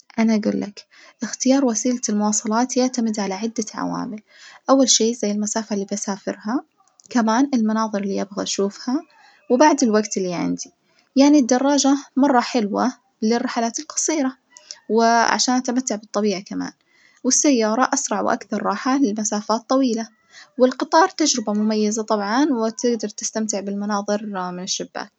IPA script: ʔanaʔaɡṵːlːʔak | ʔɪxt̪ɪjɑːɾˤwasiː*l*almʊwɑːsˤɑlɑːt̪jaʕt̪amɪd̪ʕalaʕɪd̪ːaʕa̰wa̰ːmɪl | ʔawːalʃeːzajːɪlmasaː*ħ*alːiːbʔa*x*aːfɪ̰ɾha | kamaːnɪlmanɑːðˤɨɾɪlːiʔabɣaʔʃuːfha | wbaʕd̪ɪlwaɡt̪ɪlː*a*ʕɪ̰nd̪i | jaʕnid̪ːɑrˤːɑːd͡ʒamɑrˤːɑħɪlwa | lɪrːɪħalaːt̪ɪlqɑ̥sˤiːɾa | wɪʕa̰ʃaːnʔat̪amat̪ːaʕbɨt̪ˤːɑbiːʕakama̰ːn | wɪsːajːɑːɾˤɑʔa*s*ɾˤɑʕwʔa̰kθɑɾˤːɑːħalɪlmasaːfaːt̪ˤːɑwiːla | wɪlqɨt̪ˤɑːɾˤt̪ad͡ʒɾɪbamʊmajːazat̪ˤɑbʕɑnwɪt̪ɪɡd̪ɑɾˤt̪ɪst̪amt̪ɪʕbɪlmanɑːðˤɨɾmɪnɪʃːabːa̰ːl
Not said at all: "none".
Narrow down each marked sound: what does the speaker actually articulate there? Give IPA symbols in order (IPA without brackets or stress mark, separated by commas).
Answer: l, f, s, i, s